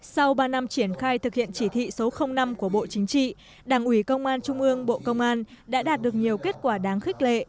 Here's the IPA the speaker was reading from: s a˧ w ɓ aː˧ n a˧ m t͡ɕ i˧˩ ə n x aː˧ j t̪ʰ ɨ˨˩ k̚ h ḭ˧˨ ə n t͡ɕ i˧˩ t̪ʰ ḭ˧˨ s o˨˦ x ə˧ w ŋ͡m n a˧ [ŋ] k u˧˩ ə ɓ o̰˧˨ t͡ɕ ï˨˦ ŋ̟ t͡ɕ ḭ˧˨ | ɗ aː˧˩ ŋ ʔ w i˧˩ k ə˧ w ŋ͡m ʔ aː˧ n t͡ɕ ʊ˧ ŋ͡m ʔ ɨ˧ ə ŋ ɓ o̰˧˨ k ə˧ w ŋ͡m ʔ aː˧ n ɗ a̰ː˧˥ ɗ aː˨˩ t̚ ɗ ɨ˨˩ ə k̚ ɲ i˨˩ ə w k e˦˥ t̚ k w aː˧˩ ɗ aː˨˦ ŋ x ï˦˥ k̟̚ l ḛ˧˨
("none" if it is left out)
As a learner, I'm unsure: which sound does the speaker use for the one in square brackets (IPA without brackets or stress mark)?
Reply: m